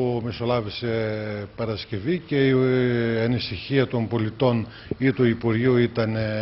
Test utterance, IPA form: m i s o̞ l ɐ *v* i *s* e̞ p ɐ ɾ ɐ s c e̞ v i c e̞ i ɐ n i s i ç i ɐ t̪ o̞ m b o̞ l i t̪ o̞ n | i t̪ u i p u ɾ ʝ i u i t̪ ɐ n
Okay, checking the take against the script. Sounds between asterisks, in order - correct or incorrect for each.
correct, correct

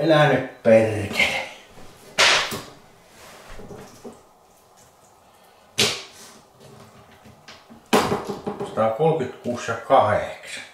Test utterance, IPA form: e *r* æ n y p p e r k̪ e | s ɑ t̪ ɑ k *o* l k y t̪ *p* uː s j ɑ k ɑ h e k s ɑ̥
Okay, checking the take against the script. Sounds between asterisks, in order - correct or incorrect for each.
incorrect, correct, incorrect

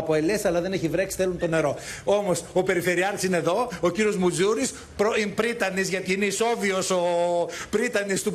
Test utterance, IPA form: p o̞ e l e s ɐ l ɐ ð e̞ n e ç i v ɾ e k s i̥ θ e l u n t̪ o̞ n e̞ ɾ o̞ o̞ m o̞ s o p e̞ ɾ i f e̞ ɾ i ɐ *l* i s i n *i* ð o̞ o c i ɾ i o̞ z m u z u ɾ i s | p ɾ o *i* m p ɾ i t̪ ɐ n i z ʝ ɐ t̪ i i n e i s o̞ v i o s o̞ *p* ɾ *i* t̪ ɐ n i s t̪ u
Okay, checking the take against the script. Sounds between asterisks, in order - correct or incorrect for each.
incorrect, incorrect, correct, correct, correct

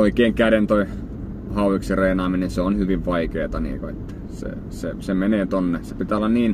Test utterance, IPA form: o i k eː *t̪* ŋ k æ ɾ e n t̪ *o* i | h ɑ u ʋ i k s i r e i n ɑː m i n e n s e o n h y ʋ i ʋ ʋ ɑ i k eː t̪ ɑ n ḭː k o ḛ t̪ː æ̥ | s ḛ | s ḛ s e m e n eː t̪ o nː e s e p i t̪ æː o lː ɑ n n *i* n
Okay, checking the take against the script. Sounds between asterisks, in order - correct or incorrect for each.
incorrect, correct, incorrect

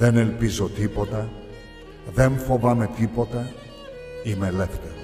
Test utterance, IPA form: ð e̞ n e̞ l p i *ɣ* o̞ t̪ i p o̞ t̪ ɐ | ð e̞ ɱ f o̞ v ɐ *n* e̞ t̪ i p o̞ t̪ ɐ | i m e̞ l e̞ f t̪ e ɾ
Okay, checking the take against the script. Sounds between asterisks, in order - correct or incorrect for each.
incorrect, incorrect

